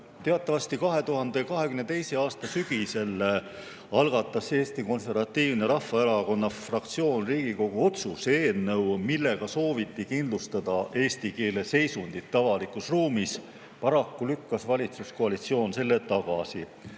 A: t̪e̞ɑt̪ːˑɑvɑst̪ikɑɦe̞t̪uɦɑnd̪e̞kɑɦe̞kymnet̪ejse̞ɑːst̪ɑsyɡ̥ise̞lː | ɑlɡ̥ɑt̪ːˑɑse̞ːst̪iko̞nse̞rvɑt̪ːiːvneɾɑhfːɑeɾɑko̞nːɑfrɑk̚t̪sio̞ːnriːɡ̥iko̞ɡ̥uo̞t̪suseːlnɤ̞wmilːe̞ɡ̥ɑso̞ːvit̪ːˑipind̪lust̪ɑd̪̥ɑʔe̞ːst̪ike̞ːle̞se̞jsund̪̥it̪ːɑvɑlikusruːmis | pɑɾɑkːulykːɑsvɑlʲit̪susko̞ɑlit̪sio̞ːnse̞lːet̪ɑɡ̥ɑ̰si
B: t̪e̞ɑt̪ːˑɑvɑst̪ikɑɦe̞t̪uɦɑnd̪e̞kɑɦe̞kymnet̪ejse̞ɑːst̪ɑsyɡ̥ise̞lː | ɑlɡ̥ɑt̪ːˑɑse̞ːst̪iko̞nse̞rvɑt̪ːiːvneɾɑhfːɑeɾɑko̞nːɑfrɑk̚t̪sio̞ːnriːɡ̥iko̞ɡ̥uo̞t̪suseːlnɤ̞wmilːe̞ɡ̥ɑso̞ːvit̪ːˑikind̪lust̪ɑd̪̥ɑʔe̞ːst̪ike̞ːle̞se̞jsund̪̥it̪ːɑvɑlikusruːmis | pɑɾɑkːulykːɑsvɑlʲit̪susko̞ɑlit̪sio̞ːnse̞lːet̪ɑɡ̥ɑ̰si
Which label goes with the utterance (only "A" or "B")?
B